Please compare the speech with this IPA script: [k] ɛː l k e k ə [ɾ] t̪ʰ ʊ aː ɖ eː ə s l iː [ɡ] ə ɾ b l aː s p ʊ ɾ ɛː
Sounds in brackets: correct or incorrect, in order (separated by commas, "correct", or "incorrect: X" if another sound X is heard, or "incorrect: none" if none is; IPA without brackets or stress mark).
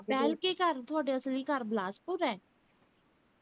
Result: incorrect: p, correct, incorrect: k